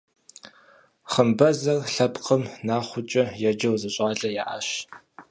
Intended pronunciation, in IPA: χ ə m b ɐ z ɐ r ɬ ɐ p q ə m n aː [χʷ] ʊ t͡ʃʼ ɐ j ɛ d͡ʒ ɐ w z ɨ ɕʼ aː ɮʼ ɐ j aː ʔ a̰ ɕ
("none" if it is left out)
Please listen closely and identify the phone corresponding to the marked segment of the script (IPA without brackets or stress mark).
χʷ